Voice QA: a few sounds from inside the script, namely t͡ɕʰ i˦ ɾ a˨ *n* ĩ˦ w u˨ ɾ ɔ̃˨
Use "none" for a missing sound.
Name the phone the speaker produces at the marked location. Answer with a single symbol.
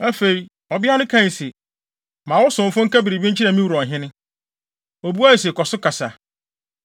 m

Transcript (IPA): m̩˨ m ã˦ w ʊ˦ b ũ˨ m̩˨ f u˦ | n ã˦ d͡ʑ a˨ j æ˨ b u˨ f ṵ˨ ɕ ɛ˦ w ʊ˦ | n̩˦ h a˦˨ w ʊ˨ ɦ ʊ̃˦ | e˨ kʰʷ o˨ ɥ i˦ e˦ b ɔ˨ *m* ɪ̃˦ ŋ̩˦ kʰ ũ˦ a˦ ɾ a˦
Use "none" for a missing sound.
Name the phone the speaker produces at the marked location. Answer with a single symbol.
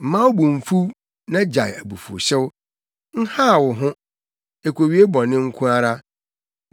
n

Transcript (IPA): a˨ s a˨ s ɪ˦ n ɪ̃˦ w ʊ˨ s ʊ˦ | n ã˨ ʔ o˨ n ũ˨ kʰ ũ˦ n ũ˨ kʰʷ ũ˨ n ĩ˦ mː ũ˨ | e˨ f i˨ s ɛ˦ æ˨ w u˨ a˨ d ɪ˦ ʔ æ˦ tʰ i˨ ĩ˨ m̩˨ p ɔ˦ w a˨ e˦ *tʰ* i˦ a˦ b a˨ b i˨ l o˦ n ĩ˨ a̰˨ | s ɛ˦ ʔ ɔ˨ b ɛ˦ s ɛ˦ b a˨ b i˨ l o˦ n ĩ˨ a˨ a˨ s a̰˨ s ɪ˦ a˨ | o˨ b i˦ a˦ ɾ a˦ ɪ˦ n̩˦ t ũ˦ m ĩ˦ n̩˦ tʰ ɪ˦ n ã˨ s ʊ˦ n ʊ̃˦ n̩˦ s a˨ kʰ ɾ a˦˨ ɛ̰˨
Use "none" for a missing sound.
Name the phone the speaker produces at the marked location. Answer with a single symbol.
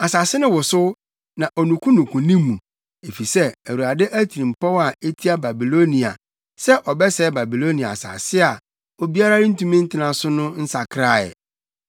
tʰ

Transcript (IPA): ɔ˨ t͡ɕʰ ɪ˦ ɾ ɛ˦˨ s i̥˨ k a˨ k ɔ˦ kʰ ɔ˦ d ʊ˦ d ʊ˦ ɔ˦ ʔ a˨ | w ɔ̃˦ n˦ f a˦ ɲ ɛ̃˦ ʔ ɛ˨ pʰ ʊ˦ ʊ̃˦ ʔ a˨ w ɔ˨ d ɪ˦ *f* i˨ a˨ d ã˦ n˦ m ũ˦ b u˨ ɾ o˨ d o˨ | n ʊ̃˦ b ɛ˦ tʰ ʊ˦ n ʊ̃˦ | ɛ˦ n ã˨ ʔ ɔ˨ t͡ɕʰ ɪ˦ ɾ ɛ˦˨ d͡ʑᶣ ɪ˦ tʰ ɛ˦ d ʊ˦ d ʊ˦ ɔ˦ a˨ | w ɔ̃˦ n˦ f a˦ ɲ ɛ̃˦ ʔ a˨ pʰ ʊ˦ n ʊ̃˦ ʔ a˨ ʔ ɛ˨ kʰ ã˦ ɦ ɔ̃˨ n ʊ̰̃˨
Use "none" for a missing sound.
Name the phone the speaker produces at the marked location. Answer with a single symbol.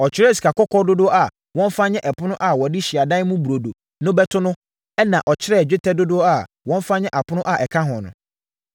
ɕ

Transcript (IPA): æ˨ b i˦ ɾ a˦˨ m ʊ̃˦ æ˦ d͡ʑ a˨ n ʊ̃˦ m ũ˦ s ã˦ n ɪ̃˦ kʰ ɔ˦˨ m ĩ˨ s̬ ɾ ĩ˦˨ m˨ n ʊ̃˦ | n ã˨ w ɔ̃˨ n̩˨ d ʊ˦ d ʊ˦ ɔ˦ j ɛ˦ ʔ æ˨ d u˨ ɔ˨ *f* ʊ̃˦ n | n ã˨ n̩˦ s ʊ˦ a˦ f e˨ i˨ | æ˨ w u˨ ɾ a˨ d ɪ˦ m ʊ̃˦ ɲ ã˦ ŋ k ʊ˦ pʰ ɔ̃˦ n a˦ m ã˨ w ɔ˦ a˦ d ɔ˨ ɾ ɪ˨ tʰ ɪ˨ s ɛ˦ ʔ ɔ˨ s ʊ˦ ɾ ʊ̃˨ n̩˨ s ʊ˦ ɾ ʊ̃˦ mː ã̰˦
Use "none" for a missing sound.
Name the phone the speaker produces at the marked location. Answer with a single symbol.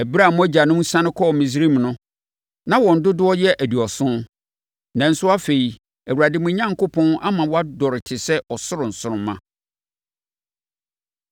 s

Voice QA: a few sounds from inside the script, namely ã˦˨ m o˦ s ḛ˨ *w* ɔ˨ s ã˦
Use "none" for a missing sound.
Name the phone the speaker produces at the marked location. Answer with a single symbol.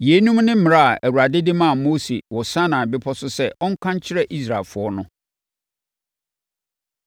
w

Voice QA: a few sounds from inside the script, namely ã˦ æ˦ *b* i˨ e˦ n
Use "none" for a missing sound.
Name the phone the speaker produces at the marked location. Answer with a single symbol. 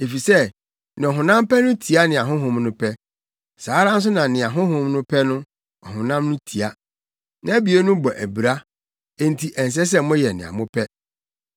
b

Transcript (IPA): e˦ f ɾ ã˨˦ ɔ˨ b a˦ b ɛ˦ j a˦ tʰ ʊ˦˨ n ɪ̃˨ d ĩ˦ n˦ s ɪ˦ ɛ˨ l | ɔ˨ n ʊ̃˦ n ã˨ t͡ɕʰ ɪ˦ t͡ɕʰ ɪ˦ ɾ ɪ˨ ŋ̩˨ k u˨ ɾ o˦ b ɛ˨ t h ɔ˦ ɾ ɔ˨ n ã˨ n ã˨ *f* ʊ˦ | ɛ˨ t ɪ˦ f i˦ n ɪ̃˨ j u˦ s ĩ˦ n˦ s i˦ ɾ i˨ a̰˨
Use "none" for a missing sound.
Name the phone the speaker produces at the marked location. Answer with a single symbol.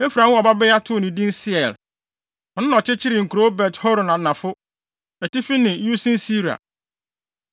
f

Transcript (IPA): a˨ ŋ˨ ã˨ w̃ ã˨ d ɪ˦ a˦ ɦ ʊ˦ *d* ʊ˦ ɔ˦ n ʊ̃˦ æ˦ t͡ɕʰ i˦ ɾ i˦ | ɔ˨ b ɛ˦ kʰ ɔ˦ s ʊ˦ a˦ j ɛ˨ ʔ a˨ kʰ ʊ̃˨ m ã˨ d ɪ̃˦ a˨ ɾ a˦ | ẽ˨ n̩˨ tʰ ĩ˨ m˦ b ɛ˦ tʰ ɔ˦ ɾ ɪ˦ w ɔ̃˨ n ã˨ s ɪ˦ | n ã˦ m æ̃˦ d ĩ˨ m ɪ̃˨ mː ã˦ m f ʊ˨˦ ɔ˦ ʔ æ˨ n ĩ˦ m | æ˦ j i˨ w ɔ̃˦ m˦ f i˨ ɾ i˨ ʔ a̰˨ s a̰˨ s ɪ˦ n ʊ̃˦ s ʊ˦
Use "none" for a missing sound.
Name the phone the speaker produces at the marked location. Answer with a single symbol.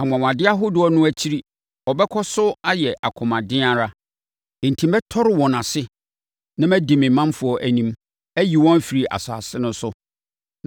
d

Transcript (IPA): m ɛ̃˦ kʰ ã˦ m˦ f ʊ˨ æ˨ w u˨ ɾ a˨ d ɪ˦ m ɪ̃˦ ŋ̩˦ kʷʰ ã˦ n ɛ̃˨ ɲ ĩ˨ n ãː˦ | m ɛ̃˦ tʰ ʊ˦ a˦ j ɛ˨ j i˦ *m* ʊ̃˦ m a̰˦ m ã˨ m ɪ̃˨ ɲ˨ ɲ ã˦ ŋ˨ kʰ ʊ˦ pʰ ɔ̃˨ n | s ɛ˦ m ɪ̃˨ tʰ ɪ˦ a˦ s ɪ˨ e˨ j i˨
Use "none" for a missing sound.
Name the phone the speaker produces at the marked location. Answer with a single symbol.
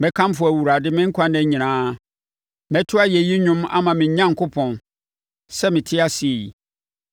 ɲ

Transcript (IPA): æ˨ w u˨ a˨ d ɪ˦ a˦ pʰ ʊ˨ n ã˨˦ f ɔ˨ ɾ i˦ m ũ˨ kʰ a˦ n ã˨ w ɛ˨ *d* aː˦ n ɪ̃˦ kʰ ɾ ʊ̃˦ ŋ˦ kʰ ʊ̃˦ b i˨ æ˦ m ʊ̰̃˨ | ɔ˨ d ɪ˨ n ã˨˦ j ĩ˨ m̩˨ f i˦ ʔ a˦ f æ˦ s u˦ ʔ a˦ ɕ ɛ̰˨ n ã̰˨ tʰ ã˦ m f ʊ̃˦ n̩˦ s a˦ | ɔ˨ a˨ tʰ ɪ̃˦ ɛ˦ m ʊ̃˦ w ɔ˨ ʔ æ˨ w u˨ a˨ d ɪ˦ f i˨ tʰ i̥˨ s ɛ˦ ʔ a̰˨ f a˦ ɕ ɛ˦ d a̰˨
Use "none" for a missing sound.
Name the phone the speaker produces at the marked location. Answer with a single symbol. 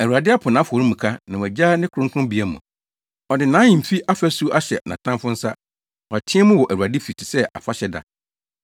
d͡ʑ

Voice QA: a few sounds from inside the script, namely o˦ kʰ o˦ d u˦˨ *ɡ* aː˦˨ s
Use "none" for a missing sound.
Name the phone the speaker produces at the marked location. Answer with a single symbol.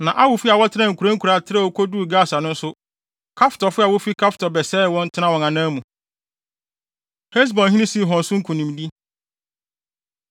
ɡ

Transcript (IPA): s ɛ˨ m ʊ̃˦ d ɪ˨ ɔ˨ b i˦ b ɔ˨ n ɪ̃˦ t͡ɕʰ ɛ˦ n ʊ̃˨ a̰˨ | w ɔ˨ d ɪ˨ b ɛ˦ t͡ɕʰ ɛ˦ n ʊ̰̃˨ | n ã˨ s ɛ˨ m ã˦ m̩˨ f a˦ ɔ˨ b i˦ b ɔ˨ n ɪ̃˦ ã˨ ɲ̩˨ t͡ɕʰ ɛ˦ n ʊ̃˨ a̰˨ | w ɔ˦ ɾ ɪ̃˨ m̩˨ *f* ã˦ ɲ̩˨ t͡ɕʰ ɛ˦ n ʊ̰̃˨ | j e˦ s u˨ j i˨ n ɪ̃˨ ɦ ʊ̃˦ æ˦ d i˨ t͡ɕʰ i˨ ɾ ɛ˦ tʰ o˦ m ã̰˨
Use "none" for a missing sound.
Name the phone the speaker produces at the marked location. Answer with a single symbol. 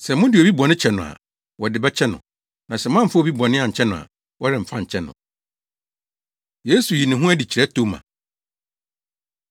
f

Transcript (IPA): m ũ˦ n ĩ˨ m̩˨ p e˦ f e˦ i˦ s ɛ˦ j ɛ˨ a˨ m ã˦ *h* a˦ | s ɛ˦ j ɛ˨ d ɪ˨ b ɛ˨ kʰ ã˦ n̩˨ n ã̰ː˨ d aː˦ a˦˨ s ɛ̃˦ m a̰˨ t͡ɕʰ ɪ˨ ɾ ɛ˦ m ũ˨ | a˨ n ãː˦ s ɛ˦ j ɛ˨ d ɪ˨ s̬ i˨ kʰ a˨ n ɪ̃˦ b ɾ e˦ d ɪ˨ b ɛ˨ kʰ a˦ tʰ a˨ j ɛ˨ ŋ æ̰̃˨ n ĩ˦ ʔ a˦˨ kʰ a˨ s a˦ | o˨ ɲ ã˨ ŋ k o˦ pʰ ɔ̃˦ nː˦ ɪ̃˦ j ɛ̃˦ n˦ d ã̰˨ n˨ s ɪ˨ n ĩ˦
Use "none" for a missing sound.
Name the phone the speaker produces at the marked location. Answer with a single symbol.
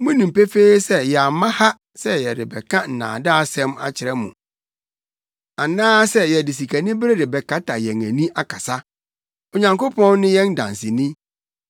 h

